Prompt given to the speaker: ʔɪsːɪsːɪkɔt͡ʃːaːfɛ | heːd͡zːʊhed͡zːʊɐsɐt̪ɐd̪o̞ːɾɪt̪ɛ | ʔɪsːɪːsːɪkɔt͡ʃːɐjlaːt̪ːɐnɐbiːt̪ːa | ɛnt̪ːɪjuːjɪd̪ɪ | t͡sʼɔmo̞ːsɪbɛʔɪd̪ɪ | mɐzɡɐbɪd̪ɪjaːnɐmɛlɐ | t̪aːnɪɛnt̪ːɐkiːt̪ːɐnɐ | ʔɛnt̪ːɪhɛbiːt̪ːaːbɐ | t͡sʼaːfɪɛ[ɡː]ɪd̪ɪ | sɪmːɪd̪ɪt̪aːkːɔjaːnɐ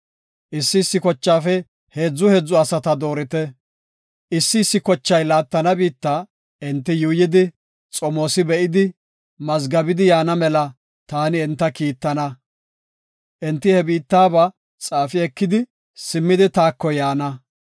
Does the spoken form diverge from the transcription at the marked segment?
yes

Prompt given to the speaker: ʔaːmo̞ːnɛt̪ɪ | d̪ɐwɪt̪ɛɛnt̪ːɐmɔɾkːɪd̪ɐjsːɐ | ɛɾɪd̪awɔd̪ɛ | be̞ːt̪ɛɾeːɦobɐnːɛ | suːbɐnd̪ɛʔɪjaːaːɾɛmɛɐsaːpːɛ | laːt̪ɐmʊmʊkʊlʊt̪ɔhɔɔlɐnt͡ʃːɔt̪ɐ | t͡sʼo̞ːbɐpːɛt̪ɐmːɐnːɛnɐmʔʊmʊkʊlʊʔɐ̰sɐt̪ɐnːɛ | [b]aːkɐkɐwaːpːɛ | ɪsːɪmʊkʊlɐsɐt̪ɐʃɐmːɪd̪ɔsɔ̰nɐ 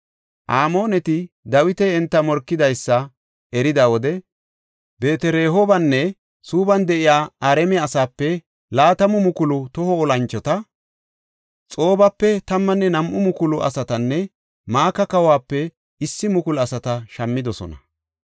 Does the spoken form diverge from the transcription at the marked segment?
yes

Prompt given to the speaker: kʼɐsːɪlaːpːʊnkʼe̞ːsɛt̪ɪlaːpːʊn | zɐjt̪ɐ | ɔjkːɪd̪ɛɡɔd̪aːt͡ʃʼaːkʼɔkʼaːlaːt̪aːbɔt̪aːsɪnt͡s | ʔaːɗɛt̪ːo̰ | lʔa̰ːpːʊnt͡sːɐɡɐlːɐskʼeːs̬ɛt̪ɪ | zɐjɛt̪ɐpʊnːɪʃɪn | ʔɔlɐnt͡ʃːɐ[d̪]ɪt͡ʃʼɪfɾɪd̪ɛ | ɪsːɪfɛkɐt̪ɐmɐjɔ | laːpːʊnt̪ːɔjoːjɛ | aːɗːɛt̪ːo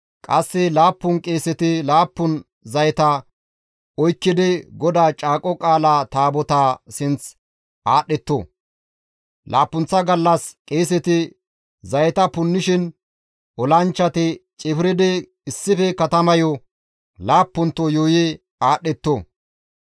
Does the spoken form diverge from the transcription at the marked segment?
yes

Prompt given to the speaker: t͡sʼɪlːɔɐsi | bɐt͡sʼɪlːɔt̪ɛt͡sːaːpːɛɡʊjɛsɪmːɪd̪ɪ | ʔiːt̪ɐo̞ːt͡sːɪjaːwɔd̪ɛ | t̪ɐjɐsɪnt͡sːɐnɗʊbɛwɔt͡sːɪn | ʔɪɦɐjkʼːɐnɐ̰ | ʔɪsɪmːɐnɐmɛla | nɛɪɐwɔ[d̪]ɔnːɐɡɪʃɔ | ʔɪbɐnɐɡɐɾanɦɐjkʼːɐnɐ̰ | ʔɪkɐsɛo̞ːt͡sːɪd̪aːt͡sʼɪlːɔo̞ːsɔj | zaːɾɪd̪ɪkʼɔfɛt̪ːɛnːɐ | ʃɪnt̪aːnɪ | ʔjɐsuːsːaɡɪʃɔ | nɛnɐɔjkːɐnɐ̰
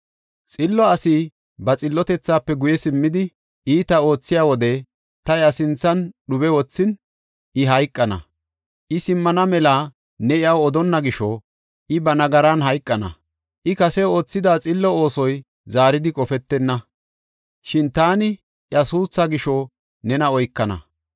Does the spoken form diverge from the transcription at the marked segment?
no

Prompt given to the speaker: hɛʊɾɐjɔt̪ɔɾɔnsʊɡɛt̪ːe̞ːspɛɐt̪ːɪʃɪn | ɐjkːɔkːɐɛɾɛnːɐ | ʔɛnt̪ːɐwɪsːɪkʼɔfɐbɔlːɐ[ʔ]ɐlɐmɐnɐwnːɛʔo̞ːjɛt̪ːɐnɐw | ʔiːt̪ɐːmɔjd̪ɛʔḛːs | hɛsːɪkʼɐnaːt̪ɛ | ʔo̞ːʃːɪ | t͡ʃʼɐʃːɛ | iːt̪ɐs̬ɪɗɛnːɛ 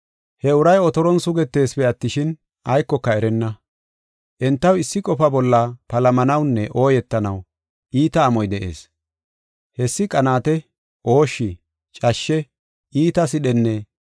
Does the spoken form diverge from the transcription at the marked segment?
yes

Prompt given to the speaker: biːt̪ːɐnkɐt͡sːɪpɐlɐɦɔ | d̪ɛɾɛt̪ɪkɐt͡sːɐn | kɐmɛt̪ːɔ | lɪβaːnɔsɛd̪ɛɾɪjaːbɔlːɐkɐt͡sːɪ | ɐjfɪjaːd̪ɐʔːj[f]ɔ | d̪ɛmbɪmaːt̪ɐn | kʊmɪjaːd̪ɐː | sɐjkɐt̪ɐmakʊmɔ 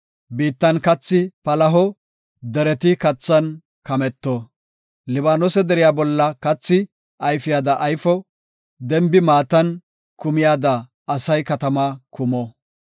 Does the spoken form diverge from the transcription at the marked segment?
no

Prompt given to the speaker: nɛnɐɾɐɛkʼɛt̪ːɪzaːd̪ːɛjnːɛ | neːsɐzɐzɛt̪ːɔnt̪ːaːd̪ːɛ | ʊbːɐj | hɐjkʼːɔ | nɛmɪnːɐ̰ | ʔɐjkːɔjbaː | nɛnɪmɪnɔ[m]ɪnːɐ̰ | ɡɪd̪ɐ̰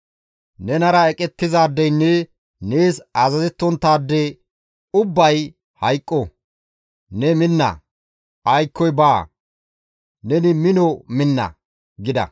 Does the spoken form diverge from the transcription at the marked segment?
no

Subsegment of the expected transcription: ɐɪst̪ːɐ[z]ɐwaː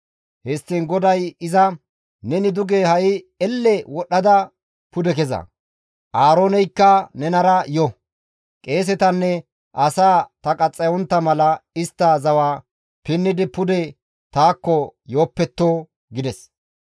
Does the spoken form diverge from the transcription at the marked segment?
no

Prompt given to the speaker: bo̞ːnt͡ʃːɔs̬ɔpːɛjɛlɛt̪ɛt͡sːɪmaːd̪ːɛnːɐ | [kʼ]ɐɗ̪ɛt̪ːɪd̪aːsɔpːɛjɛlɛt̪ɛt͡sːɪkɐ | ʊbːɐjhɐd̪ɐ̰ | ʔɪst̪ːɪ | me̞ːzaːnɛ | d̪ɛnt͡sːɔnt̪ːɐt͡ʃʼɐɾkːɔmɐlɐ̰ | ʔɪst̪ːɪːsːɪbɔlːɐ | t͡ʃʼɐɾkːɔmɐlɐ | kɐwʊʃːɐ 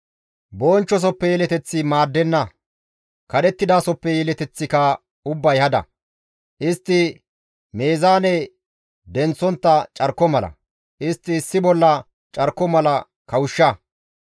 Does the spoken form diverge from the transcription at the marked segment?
yes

